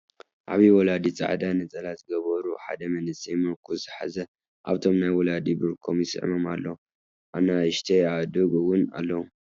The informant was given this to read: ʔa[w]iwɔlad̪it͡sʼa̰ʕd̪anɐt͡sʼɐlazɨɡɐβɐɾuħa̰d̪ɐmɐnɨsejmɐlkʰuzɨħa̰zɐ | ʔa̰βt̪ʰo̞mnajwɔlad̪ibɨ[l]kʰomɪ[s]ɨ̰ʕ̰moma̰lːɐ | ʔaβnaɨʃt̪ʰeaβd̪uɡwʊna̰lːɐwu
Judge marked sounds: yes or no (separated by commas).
no, no, yes